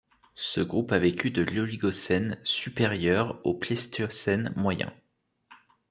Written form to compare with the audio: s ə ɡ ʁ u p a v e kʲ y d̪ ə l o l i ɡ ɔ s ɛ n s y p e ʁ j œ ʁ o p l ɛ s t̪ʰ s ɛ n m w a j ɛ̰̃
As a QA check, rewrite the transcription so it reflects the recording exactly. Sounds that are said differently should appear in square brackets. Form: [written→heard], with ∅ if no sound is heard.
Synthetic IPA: s ə ɡ ʁ u p a v e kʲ y d̪ ə l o l i ɡ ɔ s ɛ n s y p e ʁ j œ ʁ o p l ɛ s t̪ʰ s ɛ n m w a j ɛ̰̃